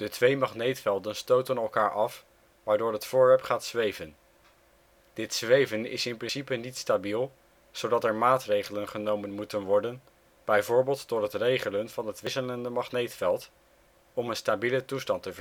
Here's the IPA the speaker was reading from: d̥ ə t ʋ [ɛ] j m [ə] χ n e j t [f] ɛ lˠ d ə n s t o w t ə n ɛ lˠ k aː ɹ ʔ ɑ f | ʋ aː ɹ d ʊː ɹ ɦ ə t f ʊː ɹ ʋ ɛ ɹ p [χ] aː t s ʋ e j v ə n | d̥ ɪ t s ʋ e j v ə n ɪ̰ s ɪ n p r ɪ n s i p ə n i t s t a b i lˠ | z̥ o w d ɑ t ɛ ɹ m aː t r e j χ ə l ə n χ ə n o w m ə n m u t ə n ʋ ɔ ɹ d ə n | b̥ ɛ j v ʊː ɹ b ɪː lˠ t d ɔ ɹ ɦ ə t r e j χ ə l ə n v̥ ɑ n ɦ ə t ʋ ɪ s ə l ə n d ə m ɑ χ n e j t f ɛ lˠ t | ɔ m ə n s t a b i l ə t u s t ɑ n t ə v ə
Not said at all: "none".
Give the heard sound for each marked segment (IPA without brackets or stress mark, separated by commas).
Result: e, ɑ, f, χ